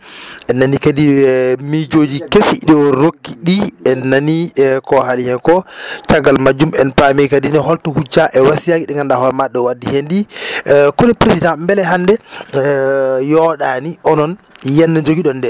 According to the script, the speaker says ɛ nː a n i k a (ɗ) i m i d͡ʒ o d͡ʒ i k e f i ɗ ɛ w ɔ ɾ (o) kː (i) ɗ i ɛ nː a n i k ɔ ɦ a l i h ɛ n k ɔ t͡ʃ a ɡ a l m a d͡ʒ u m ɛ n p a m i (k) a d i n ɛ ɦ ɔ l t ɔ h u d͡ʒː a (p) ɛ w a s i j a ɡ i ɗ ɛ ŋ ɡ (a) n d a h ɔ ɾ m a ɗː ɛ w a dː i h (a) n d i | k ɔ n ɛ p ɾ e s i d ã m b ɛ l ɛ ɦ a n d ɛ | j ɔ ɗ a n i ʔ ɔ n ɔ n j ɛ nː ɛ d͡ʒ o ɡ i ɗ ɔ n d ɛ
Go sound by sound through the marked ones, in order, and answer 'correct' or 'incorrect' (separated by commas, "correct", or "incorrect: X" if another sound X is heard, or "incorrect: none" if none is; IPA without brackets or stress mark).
incorrect: d, correct, correct, correct, incorrect: ʔ, correct, incorrect: e